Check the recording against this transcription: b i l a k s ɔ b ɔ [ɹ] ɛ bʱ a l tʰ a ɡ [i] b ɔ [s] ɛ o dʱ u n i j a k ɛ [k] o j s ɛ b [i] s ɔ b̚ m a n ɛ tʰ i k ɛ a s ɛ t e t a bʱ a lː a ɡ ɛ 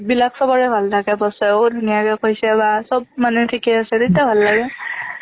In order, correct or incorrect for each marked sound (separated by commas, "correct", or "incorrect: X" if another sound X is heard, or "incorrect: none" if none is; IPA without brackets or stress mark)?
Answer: correct, incorrect: ɛ, correct, correct, incorrect: a